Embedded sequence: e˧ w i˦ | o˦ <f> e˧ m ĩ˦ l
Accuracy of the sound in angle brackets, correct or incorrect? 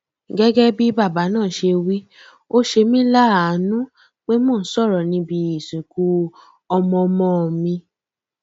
incorrect